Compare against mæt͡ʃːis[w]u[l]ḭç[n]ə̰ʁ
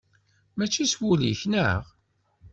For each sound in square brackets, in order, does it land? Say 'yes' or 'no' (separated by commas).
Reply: yes, yes, yes